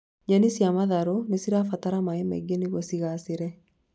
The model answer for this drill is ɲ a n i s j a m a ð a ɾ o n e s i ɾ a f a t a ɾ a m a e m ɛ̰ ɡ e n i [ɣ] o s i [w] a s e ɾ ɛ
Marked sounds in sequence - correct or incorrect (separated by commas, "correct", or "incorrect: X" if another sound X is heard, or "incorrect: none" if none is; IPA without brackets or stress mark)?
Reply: correct, incorrect: ɣ